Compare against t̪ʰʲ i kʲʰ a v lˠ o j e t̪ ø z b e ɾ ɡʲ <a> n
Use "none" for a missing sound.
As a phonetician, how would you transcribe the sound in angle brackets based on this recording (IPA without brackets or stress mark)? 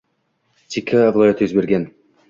e